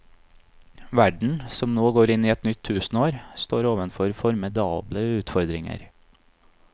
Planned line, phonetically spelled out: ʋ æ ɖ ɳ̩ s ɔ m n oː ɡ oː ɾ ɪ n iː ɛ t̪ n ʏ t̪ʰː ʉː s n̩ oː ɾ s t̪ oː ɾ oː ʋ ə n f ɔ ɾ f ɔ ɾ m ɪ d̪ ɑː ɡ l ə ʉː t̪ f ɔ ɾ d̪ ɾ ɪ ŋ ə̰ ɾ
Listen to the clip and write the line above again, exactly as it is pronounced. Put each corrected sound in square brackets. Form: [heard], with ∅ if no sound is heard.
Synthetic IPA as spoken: ʋ æ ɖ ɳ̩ s ɔ m n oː ɡ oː ɾ ɪ n iː ɛ t̪ n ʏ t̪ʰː ʉː s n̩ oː ɾ s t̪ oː ɾ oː ʋ ə n f ɔ ɾ f ɔ ɾ m ɪ d̪ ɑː [b] l ə ʉː t̪ f ɔ ɾ d̪ ɾ ɪ ŋ ə̰ ɾ

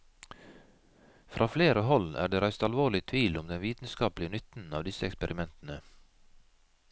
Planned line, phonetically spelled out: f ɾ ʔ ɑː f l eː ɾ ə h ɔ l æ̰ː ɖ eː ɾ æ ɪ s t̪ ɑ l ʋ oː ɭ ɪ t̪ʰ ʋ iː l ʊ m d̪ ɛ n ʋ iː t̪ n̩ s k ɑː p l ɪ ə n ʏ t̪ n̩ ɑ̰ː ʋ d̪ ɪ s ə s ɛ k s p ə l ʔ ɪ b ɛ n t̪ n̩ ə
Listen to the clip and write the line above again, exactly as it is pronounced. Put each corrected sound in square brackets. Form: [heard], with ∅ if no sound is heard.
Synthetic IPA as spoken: f ɾ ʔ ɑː f l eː ɾ ə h ɔ l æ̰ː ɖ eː ɾ æ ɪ s t̪ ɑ l ʋ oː ɭ ɪ t̪ʰ ʋ iː l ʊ m d̪ ɛ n ʋ iː t̪ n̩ s k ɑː p l ɪ ə n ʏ t̪ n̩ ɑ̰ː ʋ d̪ ɪ s ə [∅] ɛ k s p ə [ɾ] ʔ ɪ [m] ɛ n t̪ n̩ ə

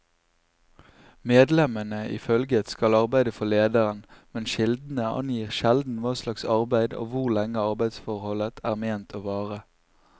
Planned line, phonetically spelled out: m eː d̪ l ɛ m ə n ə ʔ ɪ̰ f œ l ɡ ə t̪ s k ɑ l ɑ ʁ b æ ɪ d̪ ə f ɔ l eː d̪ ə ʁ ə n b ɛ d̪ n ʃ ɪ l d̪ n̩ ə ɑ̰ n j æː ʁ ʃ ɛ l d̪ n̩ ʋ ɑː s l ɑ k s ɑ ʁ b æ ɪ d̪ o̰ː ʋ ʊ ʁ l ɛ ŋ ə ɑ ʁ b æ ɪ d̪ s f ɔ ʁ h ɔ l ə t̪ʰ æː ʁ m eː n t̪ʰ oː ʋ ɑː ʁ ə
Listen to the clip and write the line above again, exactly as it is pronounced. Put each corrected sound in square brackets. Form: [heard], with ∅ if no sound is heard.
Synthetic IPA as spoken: m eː d̪ l ɛ m ə n ə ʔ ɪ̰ f œ l ɡ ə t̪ s k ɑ l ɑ ʁ b æ ɪ d̪ ə f ɔ l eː d̪ ə ʁ ə n [m] ɛ [∅] n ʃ ɪ l d̪ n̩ ə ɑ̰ n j [iː] ʁ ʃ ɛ l d̪ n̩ ʋ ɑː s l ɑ k s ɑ ʁ b æ ɪ d̪ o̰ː ʋ ʊ ʁ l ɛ ŋ ə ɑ ʁ b æ ɪ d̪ s f ɔ ʁ h ɔ l ə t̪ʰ æː ʁ m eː n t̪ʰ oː ʋ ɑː ʁ ə

